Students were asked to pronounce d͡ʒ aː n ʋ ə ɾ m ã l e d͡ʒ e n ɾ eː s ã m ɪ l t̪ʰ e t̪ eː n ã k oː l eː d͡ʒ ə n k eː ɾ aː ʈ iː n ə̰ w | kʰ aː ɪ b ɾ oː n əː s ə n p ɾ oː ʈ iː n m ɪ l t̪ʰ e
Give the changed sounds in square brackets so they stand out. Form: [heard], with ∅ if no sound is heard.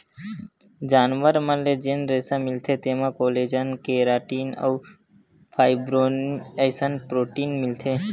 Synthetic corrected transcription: d͡ʒ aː n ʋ ə ɾ m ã l e d͡ʒ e n ɾ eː s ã m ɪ l t̪ʰ e t̪ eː [m] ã k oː l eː d͡ʒ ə n k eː ɾ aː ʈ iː n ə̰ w | [pʰ] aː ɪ b ɾ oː n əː s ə n p ɾ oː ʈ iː n m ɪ l t̪ʰ e